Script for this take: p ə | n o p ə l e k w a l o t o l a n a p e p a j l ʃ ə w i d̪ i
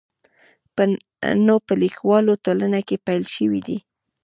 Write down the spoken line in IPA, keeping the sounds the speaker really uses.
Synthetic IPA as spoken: p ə | n o p ə l i k w ɑ l o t o l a n a k e p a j l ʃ ə w i d̪ i